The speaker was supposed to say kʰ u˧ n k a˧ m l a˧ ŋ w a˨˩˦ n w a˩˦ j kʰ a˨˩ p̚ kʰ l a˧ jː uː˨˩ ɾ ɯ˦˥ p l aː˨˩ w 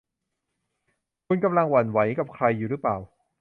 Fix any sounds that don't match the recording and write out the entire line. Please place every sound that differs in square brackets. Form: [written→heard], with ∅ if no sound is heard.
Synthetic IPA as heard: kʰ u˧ n k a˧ m l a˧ ŋ w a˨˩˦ n w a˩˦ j [kʰ→k] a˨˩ p̚ kʰ [l→ɾ] a˧ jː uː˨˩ ɾ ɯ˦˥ p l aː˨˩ w